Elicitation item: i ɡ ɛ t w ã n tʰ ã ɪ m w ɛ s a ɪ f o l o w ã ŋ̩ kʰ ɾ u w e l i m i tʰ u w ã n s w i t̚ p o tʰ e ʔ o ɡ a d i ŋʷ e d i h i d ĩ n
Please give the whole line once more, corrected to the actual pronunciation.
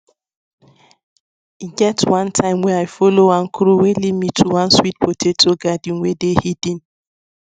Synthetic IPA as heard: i ɡ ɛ t w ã n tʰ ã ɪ m w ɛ a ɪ f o l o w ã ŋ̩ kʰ ɾ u w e l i m i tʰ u w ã n s w i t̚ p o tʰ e t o ɡ a d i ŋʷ e d e h i d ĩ n

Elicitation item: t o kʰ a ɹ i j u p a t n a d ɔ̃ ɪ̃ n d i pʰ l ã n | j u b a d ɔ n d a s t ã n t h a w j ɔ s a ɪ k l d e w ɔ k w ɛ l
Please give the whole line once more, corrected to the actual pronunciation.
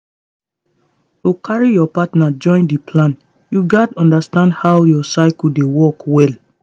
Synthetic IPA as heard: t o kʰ a ɹ i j ɔ p a t n a d͡ʒ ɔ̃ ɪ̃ n d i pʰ l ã n | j u ɡ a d ɔ̃ n d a s t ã n d h a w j ɔ s a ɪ k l d e w ɔ k w ɛ l

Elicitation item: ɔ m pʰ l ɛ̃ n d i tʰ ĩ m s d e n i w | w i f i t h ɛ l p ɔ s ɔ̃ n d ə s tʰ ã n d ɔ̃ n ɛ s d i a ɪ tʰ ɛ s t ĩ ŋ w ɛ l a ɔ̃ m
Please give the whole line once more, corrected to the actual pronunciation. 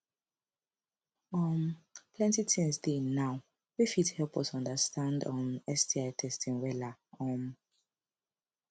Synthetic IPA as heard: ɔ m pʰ l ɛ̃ n t i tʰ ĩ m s d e n a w | w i f i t h ɛ l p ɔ s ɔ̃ n d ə s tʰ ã n d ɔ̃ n ɛ s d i a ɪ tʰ ɛ s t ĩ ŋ w ɛ l a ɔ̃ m

